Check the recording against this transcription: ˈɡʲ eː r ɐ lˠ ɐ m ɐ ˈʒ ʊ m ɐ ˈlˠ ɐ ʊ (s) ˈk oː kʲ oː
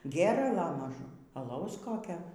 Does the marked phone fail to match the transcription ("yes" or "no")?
no